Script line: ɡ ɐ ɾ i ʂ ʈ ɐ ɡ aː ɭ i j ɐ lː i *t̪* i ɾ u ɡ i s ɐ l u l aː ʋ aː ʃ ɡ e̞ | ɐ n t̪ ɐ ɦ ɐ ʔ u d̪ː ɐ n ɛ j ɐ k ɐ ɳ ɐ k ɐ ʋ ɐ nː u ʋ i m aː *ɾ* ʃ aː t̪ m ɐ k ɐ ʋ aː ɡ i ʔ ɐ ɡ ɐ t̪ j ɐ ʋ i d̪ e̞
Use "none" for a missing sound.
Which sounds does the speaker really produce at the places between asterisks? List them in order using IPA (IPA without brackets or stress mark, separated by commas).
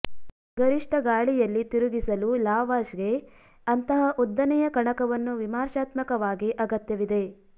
t̪, ɾ